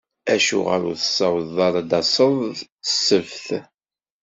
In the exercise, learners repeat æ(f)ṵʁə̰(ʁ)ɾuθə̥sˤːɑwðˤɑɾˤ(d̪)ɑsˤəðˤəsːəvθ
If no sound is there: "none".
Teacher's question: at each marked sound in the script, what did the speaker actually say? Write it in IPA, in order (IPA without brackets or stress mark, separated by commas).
ʃ, none, d̪